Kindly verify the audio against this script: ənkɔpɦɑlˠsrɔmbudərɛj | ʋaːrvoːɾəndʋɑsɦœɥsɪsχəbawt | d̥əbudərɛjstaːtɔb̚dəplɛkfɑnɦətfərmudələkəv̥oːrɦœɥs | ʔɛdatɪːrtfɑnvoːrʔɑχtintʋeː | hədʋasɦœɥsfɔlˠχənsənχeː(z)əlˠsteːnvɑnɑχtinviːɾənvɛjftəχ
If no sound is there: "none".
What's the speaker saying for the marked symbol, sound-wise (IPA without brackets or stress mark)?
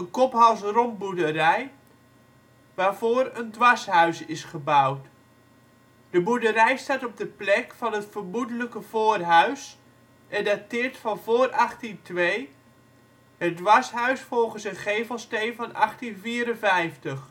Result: v